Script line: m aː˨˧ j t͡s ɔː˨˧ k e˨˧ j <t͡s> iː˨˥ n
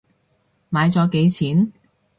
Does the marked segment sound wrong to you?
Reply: yes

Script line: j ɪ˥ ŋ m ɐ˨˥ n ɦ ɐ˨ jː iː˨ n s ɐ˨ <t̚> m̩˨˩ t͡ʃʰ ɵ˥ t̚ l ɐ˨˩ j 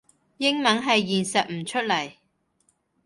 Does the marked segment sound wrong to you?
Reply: no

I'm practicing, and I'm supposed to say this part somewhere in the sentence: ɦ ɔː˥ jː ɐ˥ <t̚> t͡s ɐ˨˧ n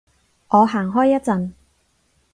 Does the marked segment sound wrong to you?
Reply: no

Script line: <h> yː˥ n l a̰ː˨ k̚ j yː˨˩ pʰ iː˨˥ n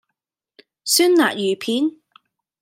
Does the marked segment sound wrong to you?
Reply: yes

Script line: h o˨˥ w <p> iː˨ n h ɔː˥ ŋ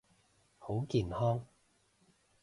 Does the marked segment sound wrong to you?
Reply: yes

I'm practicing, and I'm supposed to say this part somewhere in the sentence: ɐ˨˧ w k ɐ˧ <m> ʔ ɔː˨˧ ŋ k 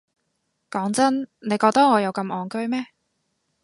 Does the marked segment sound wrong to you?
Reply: no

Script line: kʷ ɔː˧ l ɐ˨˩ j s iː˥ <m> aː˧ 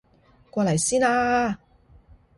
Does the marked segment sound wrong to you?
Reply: yes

